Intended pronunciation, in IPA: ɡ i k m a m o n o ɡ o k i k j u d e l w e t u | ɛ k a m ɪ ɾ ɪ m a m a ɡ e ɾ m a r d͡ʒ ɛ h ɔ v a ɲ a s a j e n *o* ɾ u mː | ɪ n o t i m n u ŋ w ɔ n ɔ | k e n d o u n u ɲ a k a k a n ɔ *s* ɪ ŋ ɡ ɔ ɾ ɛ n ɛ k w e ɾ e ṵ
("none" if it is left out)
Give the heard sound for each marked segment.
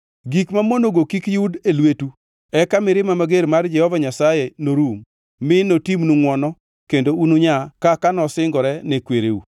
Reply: o, s

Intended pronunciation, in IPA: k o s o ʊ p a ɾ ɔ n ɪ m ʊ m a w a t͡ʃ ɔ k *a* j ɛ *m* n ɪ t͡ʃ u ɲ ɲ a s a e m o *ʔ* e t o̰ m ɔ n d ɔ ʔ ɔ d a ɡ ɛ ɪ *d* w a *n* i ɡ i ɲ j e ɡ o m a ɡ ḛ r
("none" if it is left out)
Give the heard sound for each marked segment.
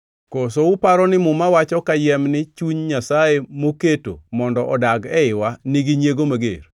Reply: a, m, k, none, n

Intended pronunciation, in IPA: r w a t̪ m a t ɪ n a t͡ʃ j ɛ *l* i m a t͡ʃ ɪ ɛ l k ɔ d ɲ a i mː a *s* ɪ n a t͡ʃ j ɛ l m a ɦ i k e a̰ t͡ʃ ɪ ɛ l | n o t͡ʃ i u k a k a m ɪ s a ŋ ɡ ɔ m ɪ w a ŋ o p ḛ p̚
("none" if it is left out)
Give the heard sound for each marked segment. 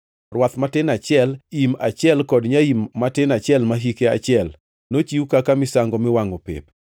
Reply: l, t

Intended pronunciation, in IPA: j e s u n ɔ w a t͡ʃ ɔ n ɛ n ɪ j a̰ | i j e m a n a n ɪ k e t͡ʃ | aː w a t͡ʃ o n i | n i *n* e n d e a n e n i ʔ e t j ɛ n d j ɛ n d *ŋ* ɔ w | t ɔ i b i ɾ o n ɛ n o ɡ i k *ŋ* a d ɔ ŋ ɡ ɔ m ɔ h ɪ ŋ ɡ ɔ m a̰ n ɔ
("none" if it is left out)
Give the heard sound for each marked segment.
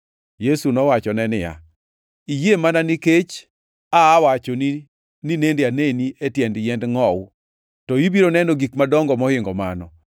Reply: n, ŋ, m

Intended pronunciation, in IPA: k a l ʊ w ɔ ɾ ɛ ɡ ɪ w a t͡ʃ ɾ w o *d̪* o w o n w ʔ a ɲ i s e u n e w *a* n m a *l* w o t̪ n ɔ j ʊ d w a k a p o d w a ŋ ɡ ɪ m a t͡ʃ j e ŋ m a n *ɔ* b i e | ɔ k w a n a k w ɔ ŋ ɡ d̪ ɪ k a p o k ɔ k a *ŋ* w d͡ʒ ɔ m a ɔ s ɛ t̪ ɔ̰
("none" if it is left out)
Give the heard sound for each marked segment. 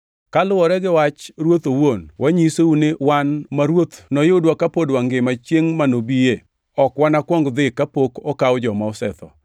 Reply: t̪, a, ɾ, o, none

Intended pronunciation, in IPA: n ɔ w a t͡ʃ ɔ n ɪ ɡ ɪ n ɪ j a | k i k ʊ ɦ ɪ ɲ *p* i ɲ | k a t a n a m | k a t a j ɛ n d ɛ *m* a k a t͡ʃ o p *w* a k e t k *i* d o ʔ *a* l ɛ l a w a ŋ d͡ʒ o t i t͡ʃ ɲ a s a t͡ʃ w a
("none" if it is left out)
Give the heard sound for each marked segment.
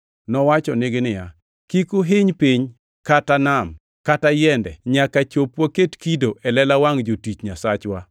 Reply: p, ɲ, w, i, ɛ

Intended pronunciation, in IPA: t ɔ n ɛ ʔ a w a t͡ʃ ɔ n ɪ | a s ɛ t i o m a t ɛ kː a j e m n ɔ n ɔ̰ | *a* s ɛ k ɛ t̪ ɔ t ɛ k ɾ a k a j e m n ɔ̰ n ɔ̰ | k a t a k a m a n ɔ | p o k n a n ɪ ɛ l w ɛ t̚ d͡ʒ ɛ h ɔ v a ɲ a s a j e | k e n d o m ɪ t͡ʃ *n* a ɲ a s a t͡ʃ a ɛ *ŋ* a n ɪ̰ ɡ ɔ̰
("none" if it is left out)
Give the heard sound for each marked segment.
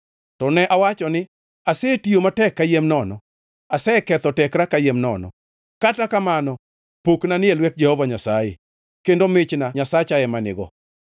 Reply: a, n, m

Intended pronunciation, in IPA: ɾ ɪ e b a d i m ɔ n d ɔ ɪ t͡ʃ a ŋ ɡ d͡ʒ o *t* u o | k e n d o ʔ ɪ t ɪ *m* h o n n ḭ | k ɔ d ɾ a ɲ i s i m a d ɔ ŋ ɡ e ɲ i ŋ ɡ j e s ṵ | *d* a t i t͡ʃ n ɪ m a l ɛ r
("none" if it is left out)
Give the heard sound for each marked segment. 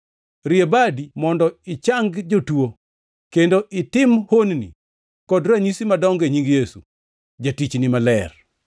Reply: t, m, d͡ʒ

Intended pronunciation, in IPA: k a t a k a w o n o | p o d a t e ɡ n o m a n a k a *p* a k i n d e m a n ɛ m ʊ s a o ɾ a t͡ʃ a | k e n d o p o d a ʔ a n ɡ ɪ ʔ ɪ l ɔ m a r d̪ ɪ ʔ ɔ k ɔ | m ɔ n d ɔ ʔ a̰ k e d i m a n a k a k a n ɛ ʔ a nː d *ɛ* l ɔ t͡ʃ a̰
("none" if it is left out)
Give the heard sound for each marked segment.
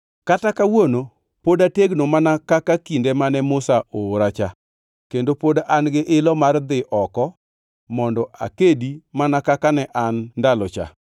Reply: k, a

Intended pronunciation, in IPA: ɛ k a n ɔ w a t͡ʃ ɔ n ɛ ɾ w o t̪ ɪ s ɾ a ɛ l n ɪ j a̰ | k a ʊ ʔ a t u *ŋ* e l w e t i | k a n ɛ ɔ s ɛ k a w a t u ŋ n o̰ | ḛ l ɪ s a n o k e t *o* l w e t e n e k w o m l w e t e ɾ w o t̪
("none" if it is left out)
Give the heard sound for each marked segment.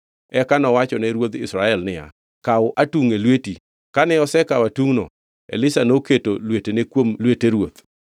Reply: ŋ, o

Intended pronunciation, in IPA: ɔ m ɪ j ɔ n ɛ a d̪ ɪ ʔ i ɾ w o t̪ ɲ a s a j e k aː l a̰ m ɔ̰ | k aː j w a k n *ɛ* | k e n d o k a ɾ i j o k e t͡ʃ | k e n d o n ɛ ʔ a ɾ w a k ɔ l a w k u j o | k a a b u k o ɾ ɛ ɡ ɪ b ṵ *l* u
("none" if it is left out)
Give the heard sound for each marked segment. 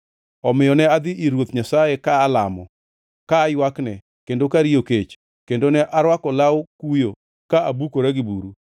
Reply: ɛ, ɾ

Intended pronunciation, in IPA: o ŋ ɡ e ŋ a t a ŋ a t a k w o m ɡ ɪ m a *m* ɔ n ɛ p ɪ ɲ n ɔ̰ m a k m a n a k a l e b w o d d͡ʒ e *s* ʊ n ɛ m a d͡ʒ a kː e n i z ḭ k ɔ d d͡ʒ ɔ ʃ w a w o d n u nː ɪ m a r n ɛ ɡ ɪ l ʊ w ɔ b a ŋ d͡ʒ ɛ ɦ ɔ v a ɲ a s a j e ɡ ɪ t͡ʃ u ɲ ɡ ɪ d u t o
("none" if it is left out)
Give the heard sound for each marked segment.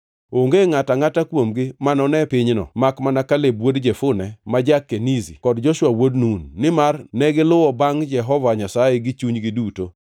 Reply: n, f

